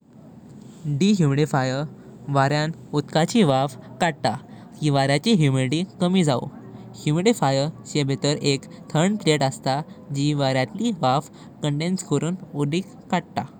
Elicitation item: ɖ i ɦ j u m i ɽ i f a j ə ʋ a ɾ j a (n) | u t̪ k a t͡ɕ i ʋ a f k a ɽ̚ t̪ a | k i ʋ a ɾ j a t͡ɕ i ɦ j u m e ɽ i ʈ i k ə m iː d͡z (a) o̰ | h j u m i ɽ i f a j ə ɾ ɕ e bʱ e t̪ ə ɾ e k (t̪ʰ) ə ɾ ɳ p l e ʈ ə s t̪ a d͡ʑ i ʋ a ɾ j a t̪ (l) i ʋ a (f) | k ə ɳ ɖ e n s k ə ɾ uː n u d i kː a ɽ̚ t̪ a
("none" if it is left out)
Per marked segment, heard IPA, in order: n, a, t̪ʰ, l, f

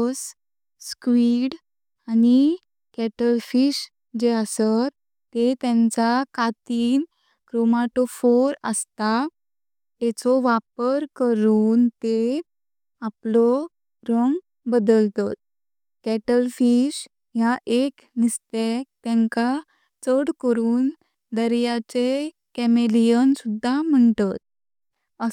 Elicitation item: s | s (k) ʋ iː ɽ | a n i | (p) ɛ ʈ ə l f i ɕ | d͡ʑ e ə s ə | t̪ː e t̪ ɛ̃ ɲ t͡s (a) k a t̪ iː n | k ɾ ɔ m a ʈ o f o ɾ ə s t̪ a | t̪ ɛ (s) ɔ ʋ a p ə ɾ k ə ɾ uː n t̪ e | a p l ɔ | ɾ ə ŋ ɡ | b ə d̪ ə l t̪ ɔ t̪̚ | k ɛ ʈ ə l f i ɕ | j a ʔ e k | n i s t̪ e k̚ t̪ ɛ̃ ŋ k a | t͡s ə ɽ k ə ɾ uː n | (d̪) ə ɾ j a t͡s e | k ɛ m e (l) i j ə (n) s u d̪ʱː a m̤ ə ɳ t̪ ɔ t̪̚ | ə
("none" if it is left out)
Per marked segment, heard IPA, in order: k, k, a, t͡s, d̪, l, n

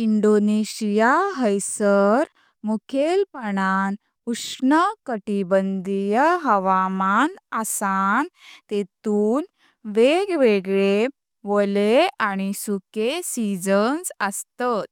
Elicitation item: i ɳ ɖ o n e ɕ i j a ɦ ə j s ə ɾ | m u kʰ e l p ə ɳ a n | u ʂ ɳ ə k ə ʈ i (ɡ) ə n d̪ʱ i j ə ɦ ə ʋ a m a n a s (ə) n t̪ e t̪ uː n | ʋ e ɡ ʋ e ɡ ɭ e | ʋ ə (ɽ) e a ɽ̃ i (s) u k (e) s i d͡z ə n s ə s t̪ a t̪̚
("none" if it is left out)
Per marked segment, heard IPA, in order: b, a, l, s, e

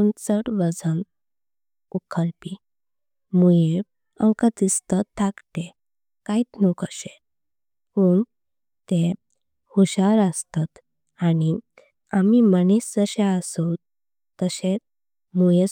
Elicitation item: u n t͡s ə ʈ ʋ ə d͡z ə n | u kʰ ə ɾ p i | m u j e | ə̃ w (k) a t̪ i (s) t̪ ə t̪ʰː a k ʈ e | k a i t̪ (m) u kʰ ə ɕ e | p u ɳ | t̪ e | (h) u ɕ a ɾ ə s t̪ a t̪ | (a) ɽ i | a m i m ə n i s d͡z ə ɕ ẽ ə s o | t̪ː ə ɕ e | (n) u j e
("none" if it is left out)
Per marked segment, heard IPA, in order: k, s, n, h, a, m

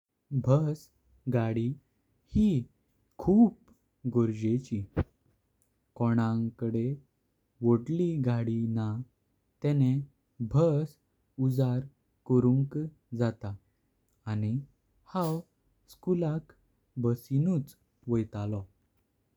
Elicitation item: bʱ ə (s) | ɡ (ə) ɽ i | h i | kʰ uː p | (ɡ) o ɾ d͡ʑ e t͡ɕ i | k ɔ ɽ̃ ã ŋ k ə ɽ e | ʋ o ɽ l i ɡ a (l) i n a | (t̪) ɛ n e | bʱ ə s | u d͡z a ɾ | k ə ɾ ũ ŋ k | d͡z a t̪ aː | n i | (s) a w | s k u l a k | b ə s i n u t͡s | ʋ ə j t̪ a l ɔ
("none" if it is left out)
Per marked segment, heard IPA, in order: s, a, ɡ, ɽ, t̪, h

